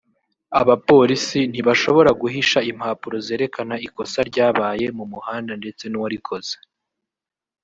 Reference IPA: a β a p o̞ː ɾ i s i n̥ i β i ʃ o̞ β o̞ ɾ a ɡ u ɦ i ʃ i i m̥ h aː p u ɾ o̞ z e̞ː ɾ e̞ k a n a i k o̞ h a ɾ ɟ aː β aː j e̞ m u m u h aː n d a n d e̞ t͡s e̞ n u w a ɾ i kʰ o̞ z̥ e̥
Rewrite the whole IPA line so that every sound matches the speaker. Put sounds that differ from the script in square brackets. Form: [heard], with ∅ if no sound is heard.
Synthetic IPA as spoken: a β a p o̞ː ɾ i s i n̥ i β [a] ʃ o̞ β o̞ ɾ a ɡ u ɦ i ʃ [a] i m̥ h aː p u ɾ o̞ z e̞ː ɾ e̞ k a n a i k o̞ [s] a ɾ ɟ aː β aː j e̞ m u m u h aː n d a n d e̞ t͡s e̞ n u w a ɾ i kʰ o̞ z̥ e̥